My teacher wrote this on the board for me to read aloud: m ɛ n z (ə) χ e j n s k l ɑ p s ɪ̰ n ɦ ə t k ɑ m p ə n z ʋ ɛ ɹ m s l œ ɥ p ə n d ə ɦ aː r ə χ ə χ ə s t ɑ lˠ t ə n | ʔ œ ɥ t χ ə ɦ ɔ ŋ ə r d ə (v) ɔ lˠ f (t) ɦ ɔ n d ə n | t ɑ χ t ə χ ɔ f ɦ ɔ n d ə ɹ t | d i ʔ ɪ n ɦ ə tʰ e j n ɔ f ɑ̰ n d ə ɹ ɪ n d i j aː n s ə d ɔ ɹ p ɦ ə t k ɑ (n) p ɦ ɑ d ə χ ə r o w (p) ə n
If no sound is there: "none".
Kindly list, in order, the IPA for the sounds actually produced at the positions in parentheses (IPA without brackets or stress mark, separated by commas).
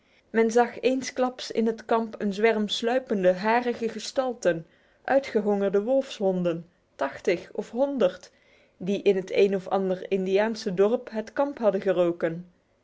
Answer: ɑ, ʋ, s, m, k